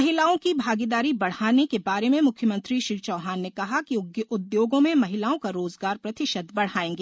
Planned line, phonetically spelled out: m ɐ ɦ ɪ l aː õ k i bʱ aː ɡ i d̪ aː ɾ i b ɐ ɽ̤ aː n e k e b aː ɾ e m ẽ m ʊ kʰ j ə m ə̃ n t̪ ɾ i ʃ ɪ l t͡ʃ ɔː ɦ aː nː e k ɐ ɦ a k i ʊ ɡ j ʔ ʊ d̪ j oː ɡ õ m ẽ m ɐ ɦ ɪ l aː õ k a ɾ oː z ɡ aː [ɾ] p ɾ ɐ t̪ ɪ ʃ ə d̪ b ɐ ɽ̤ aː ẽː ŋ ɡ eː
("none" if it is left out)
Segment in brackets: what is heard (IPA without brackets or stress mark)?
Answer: ɾ